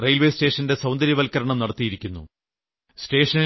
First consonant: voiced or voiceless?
voiced